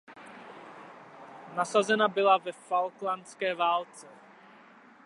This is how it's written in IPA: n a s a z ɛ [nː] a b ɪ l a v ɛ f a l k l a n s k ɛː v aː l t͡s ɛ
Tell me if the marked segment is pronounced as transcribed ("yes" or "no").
no